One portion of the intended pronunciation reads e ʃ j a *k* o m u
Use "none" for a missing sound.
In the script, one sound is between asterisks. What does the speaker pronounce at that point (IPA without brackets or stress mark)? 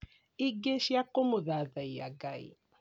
k